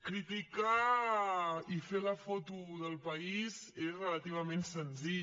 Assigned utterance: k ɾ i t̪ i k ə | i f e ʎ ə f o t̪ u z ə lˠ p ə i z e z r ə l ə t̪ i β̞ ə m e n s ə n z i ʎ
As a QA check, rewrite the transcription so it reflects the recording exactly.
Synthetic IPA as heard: k ɾ i t̪ i k a | i f e l ə f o t̪ u ð ə lˠ p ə i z e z r ə l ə t̪ i β̞ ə m e n s ə n z i ʎ